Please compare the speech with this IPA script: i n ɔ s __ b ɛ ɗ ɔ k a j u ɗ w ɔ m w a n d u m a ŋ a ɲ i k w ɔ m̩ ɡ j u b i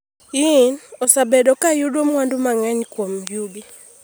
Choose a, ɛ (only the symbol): a